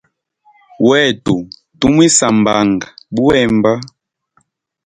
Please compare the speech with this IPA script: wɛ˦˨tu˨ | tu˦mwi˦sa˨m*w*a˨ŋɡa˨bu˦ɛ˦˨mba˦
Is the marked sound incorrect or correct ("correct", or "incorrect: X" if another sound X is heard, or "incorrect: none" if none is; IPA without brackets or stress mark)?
incorrect: b